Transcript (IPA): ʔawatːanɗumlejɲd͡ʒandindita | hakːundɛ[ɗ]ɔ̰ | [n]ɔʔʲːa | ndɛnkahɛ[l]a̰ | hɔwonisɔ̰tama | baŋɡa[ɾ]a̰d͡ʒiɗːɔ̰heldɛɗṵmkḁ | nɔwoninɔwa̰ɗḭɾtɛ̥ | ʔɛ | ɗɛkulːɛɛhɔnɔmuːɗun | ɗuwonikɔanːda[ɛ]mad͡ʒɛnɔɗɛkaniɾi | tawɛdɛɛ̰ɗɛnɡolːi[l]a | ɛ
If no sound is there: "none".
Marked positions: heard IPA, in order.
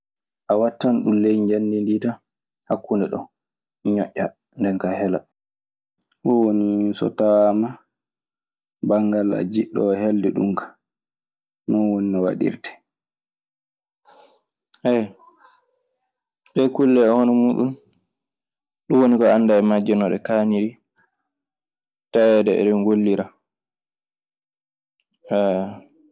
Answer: ɗ, ɲ, l, l, ɛ, ɾ

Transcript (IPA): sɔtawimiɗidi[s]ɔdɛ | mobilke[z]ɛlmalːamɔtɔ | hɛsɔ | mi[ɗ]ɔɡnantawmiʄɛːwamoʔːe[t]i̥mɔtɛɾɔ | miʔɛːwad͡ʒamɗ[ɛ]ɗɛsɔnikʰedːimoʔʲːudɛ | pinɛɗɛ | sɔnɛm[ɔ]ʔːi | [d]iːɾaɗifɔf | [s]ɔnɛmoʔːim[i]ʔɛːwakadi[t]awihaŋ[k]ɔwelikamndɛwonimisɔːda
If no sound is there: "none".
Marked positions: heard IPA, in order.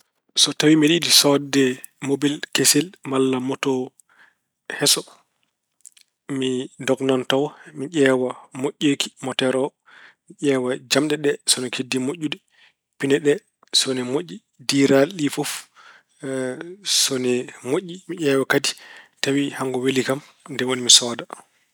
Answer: s, s, d, k, ɛ, o, d, s, i, t, ɡ

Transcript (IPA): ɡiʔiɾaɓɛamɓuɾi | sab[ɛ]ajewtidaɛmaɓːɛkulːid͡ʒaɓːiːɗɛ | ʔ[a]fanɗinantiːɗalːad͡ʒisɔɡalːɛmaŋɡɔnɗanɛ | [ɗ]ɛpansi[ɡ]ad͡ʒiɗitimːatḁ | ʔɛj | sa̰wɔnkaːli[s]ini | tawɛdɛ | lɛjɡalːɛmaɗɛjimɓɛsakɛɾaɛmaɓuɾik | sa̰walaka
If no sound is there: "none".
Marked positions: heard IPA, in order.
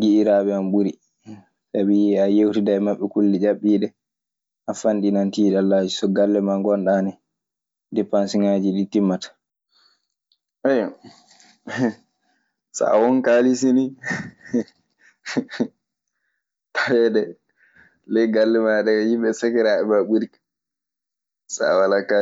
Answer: i, a, d, ŋ, s

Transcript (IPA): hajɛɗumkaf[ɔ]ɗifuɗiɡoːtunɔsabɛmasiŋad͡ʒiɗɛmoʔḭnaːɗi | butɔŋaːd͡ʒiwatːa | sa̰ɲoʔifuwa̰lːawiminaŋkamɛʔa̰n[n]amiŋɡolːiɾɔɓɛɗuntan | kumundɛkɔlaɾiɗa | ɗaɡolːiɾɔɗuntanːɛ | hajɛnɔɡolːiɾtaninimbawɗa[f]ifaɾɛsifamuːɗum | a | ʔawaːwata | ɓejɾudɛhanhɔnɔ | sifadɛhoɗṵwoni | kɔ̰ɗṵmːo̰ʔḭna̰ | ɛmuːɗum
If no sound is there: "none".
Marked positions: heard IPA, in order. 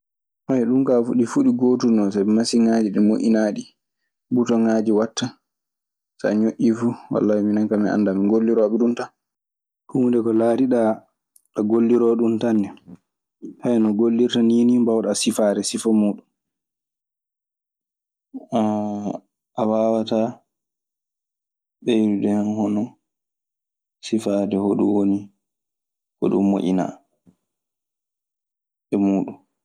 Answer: u, d, s

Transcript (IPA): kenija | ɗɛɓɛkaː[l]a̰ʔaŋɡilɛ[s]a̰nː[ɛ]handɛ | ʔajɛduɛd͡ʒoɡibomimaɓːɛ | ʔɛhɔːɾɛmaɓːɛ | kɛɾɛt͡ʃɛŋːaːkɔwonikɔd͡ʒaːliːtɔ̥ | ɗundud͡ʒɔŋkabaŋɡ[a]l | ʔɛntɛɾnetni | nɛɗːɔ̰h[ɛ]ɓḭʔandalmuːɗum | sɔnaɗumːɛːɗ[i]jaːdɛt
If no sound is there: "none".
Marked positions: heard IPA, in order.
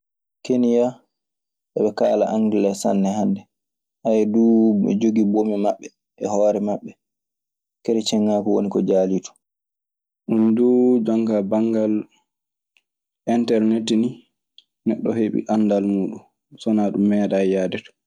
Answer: l, s, ɛ, a, e, a

